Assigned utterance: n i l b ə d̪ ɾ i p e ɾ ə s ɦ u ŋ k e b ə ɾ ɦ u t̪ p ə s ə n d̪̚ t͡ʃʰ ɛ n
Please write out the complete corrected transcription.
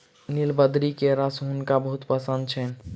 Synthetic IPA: n i l b ə d̪ ɾ i k e ɾ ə s ɦ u n k a b ə ɦ u t̪ p ə s ə n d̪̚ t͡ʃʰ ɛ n